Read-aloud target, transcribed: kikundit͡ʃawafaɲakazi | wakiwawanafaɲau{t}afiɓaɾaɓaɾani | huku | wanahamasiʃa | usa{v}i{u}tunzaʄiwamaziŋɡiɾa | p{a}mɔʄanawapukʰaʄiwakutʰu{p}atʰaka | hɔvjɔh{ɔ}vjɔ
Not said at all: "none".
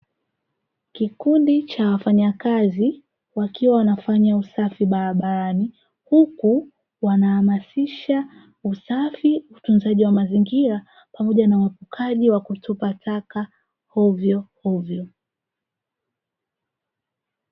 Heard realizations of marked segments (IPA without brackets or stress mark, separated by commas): s, f, u, a, p, ɔ